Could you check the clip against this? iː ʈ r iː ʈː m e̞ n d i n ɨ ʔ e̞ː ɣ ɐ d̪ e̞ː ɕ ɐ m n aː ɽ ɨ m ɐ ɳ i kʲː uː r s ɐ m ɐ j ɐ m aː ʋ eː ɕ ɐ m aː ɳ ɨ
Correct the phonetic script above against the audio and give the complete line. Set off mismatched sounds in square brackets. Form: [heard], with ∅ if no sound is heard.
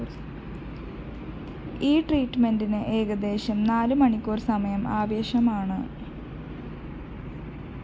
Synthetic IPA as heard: iː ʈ r iː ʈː m e̞ n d i n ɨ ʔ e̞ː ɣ ɐ d̪ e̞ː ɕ ɐ m n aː [l] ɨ m ɐ ɳ i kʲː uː r s ɐ m ɐ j ɐ m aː ʋ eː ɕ ɐ m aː ɳ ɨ